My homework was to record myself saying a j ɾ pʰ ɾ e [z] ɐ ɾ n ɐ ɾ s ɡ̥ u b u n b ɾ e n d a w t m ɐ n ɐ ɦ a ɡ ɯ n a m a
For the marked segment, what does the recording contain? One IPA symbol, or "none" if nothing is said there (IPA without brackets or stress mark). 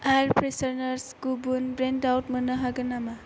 s